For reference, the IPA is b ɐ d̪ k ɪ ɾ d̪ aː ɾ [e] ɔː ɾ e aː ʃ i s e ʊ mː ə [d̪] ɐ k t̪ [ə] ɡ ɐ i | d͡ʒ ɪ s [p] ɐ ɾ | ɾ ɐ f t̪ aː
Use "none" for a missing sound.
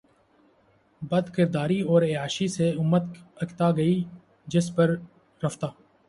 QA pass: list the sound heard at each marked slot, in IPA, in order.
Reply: i, t̪, a, p

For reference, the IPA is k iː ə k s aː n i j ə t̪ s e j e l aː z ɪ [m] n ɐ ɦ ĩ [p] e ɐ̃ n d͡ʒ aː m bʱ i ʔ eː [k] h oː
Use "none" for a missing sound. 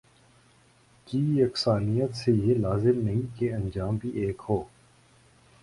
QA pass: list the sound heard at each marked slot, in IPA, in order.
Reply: m, k, k

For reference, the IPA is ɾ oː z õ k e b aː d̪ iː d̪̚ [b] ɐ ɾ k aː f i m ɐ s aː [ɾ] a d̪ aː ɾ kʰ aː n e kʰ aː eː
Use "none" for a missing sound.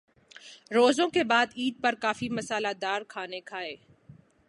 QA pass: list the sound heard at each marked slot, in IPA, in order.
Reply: p, l

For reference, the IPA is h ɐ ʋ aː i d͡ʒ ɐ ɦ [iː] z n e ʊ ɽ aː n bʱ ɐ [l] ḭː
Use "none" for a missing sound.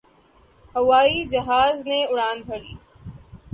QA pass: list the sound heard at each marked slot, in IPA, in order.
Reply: aː, ɽ

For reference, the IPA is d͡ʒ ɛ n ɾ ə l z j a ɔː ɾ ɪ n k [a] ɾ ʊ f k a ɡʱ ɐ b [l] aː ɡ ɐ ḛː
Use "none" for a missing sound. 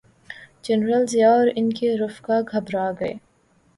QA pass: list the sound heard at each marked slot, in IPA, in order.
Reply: e, ɾ

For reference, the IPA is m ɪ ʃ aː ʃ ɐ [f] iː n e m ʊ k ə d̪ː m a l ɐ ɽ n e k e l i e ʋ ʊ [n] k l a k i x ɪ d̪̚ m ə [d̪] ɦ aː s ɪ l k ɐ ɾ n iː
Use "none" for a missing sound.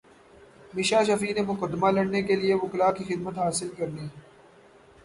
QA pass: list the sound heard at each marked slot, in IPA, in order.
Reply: f, none, t̪

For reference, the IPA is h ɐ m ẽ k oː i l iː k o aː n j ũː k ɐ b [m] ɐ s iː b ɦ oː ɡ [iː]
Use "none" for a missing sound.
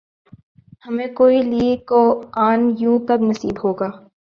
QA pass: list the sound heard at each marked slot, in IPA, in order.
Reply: n, aː

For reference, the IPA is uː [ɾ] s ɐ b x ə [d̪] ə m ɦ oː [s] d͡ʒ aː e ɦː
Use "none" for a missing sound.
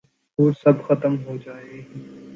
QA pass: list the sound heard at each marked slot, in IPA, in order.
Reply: ɾ, t̪, none

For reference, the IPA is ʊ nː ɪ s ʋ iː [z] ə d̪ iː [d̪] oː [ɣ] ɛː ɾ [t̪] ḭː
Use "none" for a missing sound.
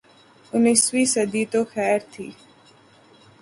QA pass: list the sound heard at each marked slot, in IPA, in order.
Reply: s, t̪, x, t̪ʰ

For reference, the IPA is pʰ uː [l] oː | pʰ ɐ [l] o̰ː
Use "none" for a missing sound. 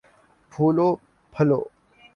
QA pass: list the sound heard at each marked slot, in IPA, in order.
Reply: l, l

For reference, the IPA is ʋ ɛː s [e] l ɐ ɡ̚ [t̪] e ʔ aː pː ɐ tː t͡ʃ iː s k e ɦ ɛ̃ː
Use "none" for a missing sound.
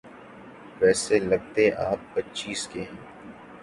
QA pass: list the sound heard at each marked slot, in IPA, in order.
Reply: e, t̪

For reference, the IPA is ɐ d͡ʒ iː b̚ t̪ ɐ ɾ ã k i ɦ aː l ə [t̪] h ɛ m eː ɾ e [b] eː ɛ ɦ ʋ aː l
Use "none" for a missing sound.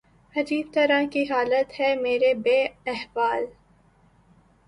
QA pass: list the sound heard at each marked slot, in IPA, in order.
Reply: t̪, b

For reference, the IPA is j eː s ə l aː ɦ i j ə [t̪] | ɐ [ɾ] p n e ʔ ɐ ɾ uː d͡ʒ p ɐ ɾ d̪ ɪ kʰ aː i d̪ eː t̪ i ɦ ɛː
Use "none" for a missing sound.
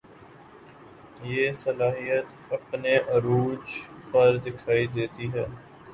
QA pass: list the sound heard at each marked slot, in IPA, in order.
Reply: t̪, none

